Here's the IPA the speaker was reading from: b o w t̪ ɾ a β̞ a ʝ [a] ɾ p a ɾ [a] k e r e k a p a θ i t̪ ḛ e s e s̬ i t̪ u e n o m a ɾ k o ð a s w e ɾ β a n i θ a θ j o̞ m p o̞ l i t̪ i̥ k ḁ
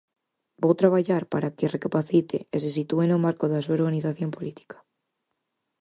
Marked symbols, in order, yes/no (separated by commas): yes, yes